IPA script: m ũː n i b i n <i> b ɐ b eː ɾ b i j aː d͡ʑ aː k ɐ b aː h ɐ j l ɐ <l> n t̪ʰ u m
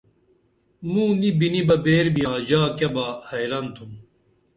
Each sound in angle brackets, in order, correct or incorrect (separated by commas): correct, incorrect